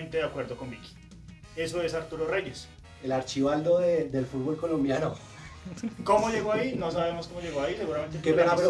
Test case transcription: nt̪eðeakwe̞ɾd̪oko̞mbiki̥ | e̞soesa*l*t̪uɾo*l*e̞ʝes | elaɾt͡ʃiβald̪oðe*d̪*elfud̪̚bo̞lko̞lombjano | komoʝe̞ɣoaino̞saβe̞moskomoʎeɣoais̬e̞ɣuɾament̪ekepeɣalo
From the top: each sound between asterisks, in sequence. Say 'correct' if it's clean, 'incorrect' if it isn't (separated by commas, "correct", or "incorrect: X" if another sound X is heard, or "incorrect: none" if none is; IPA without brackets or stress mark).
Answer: incorrect: ɾ, incorrect: r, correct